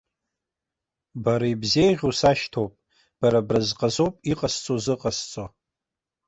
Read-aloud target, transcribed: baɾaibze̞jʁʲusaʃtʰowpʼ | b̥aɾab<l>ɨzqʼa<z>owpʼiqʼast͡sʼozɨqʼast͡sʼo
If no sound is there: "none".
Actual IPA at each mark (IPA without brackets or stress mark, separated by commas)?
r, z